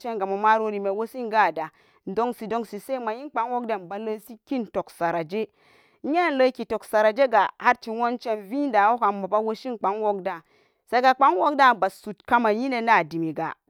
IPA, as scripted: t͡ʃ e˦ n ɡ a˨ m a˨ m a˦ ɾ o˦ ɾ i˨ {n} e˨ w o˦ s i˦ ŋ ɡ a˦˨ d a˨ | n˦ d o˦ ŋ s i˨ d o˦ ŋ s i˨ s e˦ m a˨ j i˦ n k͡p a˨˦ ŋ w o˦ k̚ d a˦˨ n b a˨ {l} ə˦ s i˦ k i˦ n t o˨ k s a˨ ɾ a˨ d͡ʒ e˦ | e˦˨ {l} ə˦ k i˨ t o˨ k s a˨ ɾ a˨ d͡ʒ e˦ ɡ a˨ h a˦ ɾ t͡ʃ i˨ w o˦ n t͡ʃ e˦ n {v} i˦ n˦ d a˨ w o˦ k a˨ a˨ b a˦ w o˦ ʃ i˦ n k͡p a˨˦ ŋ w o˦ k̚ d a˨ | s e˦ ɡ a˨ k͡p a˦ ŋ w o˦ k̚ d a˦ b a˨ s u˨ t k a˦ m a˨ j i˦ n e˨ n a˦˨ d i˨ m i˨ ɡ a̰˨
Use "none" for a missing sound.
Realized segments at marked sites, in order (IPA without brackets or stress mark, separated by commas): m, l, l, v